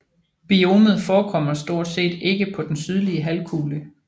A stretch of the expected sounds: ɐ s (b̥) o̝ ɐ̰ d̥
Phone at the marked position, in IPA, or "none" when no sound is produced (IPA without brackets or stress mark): d̥